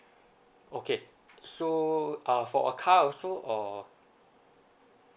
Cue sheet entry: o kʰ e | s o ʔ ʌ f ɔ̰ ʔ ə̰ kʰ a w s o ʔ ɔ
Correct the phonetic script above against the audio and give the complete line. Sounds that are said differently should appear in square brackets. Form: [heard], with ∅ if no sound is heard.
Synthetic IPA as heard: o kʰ e | s o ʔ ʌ f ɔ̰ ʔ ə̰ kʰ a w s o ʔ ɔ